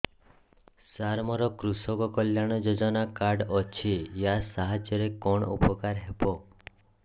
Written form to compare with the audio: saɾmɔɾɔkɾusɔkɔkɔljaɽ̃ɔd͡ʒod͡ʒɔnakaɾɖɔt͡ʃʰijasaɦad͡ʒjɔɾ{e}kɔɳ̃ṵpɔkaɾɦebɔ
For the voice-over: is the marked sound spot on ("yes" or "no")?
yes